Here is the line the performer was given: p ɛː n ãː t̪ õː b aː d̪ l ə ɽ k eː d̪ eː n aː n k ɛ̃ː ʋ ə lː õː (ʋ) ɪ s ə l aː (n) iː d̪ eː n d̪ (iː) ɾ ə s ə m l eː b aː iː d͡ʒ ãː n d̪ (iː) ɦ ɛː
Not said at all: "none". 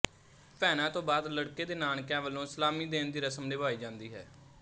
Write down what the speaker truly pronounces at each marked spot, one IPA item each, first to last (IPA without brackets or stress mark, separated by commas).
none, m, iː, iː